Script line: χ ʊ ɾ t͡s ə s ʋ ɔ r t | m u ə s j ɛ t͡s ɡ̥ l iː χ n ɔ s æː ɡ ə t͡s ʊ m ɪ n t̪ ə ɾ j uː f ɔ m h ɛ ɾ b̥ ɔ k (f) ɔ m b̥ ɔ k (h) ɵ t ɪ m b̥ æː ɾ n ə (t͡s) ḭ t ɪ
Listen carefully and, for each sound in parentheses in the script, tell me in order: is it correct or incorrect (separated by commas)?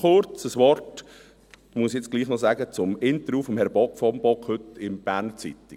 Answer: correct, correct, correct